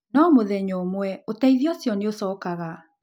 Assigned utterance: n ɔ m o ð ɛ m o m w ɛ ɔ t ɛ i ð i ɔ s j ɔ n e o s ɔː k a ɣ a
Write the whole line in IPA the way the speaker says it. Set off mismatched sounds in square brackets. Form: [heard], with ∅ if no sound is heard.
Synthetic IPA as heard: n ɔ m o ð ɛ [ɲ] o m w ɛ [o] t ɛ i ð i ɔ s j ɔ n e o s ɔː k a ɣ a